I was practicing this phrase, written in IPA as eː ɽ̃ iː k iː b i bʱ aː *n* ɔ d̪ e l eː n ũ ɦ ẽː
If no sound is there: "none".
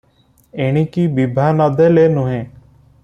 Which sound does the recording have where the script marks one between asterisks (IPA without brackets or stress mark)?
n